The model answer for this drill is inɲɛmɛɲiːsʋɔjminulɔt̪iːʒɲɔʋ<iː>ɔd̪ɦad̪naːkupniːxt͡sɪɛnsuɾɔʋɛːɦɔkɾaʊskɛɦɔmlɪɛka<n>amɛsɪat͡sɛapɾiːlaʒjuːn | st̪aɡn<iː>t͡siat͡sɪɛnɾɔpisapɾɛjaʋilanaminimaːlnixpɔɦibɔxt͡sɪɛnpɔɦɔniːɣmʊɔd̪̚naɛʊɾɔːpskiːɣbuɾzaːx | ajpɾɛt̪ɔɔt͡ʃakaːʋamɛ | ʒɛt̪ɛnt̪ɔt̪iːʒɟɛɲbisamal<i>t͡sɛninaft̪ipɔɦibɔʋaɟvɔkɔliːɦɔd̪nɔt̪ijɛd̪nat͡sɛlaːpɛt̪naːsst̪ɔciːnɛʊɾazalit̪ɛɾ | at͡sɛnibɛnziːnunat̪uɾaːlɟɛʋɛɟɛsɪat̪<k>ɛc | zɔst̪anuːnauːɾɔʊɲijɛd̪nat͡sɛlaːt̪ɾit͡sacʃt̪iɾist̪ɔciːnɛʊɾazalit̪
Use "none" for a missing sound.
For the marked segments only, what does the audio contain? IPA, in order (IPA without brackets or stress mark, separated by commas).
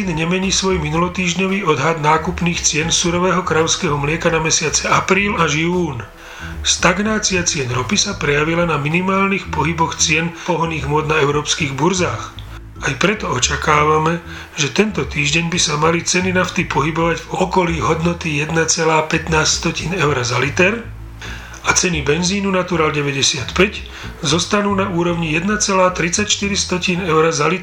iː, n, aː, i, p